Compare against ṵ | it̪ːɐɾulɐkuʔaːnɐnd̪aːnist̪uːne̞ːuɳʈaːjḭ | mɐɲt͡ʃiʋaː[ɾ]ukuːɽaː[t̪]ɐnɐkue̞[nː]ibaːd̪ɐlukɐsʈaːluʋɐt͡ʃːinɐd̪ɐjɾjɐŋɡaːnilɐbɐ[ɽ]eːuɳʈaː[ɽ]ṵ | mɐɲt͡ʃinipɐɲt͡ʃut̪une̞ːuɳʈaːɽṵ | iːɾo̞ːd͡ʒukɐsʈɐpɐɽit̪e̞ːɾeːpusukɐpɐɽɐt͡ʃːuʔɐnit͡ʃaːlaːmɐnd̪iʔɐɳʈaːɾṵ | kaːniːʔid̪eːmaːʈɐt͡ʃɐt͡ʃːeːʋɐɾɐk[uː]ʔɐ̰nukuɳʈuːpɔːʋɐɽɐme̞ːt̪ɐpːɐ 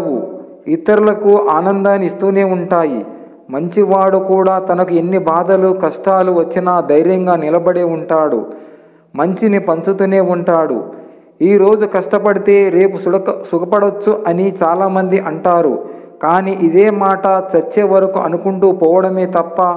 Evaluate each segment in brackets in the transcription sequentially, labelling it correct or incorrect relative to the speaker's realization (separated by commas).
incorrect, correct, correct, correct, correct, incorrect